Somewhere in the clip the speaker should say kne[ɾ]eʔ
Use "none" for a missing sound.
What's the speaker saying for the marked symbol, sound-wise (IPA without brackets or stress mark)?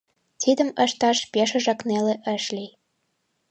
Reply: l